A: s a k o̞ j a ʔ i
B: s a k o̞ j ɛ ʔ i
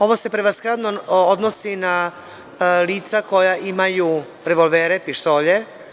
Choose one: A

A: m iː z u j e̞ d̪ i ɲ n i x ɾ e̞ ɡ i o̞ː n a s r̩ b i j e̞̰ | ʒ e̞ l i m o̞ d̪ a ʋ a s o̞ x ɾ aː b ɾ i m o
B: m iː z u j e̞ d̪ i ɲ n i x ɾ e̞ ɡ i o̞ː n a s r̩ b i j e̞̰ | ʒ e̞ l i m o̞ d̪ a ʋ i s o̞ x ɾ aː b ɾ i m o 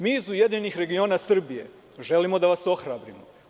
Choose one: A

